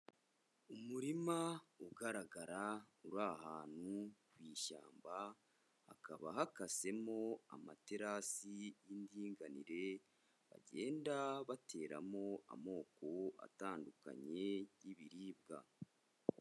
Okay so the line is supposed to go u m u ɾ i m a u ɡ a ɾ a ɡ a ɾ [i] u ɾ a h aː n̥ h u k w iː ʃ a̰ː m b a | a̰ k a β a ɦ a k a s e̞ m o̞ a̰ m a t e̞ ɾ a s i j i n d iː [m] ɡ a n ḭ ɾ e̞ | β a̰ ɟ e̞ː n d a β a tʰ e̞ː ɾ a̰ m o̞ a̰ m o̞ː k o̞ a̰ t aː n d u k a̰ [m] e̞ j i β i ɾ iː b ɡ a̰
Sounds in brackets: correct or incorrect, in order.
incorrect: a, incorrect: ŋ, incorrect: ɲ

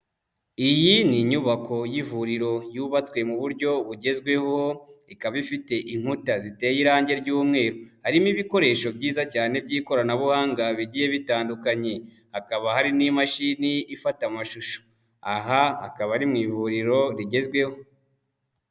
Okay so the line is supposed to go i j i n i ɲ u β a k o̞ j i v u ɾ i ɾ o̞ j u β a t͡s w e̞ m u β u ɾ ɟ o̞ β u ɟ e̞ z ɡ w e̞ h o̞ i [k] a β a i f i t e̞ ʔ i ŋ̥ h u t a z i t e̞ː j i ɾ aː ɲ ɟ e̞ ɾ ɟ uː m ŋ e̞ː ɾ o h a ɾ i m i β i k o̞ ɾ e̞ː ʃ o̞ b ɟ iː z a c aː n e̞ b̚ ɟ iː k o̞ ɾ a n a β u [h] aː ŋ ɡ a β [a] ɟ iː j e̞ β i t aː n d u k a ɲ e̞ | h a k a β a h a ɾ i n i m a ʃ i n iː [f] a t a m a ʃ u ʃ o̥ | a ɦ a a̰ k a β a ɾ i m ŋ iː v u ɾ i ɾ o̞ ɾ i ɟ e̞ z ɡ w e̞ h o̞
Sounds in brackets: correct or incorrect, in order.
correct, correct, incorrect: i, correct

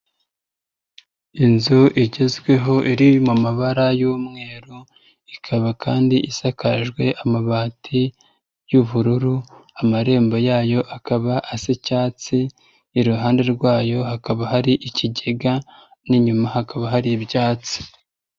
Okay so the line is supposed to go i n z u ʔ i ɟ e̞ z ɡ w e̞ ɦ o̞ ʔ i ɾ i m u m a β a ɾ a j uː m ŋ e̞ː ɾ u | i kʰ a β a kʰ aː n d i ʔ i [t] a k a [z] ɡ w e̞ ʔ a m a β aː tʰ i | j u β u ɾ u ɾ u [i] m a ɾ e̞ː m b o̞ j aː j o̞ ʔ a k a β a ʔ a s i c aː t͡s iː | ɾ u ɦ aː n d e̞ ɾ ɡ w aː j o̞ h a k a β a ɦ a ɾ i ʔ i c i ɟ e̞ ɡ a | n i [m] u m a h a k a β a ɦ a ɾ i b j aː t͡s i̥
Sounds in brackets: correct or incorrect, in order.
incorrect: s, incorrect: ʒ, incorrect: a, incorrect: ɲ

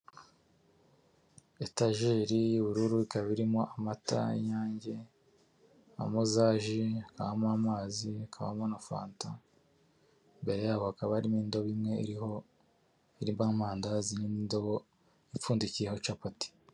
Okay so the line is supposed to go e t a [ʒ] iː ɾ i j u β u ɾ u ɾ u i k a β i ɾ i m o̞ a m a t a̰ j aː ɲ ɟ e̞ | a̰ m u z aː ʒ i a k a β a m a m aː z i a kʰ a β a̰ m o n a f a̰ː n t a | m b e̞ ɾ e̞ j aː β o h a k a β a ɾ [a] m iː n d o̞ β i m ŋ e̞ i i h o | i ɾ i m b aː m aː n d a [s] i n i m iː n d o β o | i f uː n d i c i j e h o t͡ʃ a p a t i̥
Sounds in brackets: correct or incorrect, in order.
correct, incorrect: i, incorrect: z

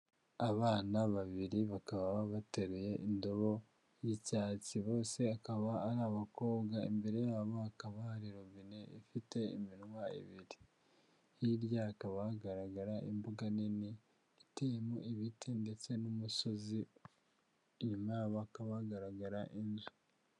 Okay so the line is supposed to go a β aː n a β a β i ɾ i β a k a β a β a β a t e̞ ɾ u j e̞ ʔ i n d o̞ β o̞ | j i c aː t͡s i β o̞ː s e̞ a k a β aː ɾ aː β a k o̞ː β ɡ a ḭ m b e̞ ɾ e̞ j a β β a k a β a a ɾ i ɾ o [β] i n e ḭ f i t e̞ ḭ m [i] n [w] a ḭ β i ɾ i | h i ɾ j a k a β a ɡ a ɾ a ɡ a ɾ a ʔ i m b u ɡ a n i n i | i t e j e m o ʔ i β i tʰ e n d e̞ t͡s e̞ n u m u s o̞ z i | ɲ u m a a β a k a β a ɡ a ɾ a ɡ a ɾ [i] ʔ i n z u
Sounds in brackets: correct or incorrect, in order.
correct, correct, correct, incorrect: a

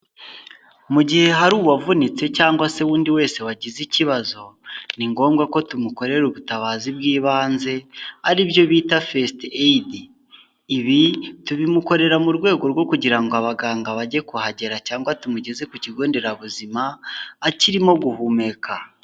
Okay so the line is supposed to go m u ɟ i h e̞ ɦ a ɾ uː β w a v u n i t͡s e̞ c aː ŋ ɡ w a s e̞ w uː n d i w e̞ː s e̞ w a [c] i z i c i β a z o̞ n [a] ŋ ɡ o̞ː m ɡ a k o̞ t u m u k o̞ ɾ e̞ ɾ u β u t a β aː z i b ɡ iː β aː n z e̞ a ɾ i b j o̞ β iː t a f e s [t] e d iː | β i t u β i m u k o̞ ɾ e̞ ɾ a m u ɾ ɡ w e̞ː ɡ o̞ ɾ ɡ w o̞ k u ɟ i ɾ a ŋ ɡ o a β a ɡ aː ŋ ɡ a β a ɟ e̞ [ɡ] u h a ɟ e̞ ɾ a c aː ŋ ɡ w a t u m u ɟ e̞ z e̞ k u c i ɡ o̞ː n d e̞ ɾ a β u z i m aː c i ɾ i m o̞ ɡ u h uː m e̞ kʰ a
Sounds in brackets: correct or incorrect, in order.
incorrect: ɟ, incorrect: i, correct, incorrect: k

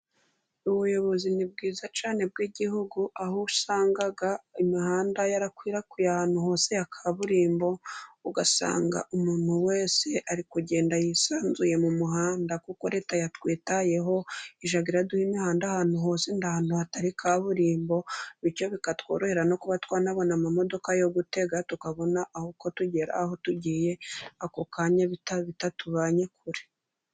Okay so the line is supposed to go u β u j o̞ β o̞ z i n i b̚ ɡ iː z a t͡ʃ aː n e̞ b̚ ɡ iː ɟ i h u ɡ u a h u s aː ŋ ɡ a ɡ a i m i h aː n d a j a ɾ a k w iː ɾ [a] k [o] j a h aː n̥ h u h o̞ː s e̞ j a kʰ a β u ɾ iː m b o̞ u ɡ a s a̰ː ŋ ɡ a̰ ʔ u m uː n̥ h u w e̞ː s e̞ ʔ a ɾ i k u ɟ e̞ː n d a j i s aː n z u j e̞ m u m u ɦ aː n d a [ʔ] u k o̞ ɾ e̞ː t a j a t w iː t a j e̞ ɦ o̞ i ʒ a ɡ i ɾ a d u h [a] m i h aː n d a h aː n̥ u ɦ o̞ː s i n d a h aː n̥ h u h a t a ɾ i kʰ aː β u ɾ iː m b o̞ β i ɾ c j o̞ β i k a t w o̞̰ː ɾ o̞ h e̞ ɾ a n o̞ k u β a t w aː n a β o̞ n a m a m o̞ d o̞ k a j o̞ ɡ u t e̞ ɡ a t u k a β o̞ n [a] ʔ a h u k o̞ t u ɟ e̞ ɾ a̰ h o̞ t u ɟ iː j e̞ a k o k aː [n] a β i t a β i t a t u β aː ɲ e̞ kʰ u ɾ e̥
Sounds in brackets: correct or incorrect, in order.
correct, incorrect: u, incorrect: k, incorrect: i, correct, incorrect: ɲ

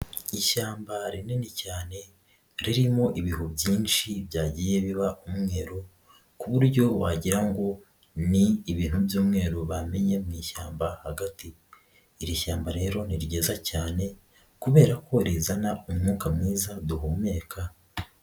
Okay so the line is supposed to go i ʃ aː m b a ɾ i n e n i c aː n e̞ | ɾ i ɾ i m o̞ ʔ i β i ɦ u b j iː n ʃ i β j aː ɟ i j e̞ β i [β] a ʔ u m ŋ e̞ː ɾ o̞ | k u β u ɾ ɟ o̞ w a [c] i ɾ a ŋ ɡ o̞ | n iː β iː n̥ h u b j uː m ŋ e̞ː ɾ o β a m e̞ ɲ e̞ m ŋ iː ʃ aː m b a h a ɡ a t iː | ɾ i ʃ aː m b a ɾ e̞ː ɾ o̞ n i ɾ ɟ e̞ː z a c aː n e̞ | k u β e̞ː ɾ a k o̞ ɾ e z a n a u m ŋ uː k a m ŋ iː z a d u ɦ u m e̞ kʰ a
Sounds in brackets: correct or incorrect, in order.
correct, incorrect: ɟ

